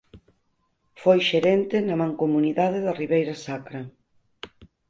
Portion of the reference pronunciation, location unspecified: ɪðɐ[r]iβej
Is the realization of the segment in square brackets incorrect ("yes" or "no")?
no